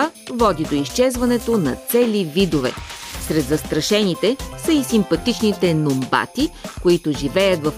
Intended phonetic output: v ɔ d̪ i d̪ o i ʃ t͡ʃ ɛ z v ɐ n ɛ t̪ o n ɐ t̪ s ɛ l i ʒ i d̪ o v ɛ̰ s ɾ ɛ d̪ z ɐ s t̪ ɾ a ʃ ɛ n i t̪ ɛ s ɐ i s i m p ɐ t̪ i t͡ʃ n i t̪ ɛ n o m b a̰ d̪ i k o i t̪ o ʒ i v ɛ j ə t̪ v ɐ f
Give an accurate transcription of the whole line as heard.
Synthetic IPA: v ɔ d̪ i d̪ o i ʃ t͡ʃ ɛ z v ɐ n ɛ t̪ o n ɐ t̪ s ɛ l i v i d̪ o v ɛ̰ s ɾ ɛ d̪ z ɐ s t̪ ɾ ɐ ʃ ɛ n i t̪ ɛ s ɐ i s i m p ɐ t̪ i t͡ʃ n i t̪ ɛ n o m b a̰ t̪ i k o i t̪ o ʒ i v ɛ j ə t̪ v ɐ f